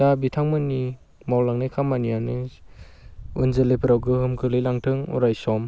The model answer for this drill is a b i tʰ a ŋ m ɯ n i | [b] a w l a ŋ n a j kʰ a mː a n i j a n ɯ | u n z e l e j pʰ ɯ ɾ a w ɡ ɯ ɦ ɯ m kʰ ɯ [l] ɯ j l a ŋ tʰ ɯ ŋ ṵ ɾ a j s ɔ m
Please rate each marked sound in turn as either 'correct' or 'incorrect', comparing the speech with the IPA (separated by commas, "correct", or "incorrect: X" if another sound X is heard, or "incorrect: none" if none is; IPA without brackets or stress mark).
incorrect: m, correct